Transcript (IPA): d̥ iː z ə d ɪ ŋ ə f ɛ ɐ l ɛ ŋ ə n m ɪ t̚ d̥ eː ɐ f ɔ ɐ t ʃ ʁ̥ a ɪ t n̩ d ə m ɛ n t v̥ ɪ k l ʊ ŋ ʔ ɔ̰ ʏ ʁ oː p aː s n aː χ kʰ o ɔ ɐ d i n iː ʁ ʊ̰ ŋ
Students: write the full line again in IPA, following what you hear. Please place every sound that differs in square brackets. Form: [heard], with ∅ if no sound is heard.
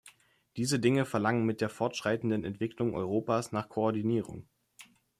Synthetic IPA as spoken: d̥ iː z ə d ɪ ŋ ə f ɛ ɐ l [a] ŋ ə n m ɪ t̚ d̥ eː ɐ f ɔ ɐ t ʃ ʁ̥ a ɪ t n̩ d ə [n] ɛ n t v̥ ɪ k l ʊ ŋ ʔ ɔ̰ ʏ ʁ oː p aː s n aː χ kʰ o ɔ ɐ d i n iː ʁ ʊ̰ ŋ